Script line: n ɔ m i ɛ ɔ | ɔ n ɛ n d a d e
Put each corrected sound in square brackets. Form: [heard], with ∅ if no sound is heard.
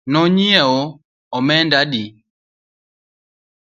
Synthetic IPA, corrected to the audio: n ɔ [ɲ] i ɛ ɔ | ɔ [m] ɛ n d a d [i]